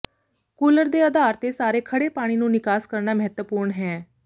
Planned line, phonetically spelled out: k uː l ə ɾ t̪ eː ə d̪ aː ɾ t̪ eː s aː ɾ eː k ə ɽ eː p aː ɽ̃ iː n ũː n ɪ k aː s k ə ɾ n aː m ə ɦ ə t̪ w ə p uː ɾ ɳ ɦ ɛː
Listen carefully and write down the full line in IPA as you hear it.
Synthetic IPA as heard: k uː l ə ɾ d̪ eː ə d̪ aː ɾ t̪ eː s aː ɾ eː kʰ ə ɽ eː p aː ɽ̃ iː n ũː n ɪ k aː s k ə ɾ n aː m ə ɦ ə t̪ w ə p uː ɾ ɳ ɦ ɛː